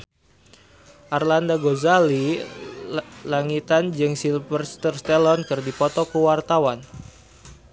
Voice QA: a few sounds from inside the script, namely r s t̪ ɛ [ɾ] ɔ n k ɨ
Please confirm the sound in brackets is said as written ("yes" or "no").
no